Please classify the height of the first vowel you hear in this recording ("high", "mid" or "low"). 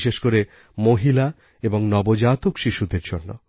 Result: mid